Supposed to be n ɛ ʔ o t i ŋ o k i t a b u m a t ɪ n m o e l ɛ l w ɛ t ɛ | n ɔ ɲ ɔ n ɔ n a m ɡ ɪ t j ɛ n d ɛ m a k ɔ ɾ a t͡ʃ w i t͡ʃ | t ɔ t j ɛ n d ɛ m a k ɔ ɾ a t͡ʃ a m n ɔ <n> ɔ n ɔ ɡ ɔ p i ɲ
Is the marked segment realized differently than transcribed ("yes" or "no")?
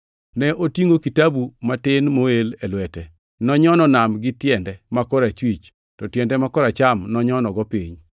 yes